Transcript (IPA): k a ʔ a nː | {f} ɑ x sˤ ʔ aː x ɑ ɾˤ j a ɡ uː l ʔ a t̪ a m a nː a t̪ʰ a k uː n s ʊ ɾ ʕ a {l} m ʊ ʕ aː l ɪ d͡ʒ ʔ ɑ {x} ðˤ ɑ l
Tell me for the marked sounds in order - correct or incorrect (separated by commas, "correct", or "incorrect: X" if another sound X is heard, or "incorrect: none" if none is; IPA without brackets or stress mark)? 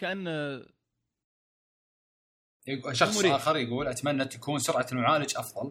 incorrect: ʃ, correct, incorrect: f